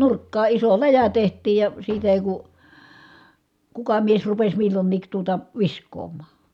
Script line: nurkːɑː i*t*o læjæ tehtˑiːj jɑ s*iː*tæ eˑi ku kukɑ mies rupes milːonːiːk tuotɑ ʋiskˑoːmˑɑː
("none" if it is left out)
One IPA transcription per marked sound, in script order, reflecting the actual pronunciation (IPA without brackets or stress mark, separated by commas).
s, iː